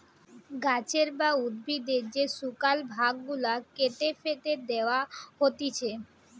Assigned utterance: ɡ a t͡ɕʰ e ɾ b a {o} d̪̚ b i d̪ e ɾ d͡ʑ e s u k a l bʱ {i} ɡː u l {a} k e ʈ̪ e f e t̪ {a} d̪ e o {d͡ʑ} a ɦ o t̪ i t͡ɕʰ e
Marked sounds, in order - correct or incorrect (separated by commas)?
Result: incorrect, incorrect, correct, incorrect, incorrect